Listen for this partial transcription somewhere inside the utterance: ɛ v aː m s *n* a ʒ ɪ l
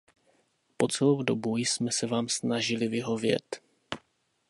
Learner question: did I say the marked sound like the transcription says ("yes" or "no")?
yes